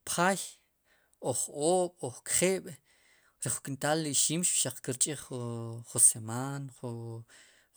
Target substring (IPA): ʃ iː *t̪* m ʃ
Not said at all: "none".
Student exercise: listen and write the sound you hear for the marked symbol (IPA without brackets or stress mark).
none